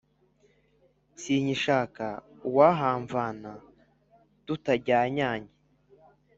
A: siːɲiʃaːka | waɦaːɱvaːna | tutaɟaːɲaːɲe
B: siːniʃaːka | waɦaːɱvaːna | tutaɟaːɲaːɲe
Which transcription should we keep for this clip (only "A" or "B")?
A